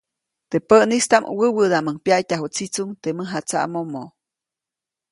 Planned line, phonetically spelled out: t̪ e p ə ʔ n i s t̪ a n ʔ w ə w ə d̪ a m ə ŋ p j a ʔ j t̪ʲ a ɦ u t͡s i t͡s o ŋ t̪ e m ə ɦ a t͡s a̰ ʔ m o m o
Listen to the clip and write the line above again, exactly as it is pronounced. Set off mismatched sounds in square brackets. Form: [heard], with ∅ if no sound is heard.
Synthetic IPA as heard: t̪ e p ə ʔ n i s t̪ a [m] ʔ w ə w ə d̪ a m ə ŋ p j a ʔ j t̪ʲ a ɦ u t͡s i t͡s [u] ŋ t̪ e m ə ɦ a t͡s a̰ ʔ m o m o